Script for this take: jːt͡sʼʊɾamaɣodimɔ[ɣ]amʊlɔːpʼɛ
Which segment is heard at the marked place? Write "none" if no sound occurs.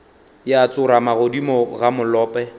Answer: ɣ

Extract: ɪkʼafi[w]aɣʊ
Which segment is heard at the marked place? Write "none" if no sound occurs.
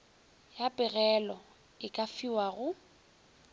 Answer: w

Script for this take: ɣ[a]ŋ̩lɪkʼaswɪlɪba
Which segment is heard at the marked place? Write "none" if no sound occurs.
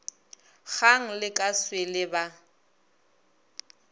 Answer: a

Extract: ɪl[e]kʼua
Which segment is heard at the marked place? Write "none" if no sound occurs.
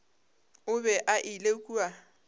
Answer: e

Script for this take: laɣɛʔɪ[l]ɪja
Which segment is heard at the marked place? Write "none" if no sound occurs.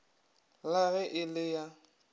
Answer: l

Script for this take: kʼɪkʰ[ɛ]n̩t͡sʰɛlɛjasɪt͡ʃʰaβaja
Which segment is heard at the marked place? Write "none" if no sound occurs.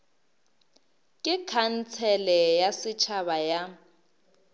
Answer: a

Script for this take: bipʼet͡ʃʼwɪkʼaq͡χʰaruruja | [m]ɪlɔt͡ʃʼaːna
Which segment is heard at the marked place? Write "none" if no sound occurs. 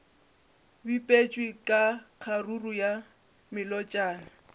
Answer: m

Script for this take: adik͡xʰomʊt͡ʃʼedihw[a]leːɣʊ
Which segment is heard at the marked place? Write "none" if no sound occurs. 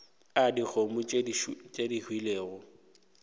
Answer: i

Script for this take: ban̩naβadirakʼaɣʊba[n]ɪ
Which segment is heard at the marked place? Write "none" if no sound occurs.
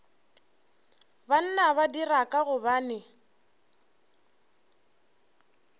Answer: n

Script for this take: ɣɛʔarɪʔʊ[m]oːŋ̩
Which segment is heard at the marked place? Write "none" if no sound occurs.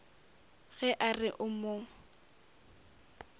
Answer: m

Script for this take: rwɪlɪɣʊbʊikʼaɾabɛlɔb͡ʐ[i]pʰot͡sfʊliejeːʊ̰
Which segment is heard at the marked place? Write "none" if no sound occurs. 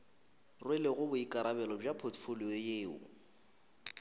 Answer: a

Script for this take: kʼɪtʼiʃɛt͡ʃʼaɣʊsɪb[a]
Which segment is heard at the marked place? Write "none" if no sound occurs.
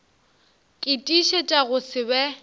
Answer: ɛ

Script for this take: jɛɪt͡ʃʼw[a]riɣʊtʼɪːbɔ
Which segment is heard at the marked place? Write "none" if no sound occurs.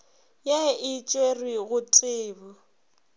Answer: e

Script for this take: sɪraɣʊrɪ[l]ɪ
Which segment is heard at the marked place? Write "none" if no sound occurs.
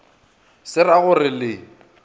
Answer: l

